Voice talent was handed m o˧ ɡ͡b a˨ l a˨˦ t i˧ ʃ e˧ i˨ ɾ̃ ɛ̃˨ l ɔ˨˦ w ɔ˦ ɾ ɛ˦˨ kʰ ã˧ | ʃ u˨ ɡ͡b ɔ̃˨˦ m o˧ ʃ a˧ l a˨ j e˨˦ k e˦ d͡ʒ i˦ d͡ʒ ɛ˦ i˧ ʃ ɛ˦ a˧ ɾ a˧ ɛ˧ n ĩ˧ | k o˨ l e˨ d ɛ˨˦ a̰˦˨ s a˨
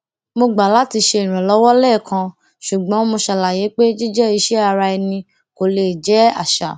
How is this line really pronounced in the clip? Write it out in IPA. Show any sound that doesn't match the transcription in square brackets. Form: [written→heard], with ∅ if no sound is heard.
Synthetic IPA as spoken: m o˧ ɡ͡b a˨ l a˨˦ t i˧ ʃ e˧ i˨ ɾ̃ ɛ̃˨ l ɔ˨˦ w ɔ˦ [ɾ→l] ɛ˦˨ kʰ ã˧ | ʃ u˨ ɡ͡b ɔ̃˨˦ m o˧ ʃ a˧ l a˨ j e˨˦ [k→k͡p] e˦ d͡ʒ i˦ d͡ʒ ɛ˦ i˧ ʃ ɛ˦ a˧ ɾ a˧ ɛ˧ n ĩ˧ | k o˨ l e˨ [d→d͡ʒ] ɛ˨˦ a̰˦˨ [s→ʃ] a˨